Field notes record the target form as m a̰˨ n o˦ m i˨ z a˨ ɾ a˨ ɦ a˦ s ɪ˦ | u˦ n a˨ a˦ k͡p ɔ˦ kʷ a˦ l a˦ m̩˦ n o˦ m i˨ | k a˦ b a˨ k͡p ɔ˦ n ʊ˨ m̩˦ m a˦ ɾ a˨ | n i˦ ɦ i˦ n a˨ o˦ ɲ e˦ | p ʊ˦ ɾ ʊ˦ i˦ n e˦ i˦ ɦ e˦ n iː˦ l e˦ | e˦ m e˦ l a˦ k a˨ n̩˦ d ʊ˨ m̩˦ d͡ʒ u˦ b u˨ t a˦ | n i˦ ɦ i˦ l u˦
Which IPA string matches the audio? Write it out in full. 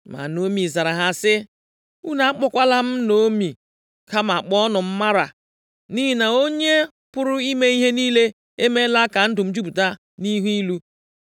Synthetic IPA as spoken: m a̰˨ n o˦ m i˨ z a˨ ɾ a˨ ɦ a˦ s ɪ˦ | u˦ n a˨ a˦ k͡p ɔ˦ kʷ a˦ l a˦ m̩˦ n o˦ m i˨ | k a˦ m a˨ k͡p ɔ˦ n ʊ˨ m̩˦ m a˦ ɾ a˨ | n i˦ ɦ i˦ n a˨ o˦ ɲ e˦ | p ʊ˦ ɾ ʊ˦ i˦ m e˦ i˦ ɦ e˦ n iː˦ l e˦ | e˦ m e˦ l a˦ k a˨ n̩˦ d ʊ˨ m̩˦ d͡ʒ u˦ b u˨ t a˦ | n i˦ ɦ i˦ l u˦